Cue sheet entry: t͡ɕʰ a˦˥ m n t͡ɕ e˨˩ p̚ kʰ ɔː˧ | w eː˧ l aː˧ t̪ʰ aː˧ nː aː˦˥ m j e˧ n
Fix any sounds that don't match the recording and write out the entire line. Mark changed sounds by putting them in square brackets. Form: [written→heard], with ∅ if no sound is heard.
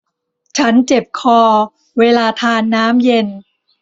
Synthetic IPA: t͡ɕʰ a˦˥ [m→∅] n t͡ɕ e˨˩ p̚ kʰ ɔː˧ | w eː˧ l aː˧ t̪ʰ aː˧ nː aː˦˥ m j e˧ n